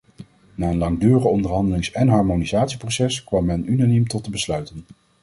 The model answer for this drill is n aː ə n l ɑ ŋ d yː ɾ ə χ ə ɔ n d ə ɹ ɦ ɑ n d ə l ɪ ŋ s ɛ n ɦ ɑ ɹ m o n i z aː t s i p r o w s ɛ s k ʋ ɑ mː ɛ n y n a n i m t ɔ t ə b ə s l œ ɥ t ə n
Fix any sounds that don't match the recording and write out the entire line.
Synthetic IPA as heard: n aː ə n l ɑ ŋ d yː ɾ ə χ ə ɔ n d ə ɹ ɦ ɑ n d ə l ɪ ŋ s ɛ n ɦ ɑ ɹ m o n i z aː t s i p r o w s ɛ s k ʋ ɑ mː ɛ n y n a n i m t ɔ t ə b ə s l œ ɥ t ə n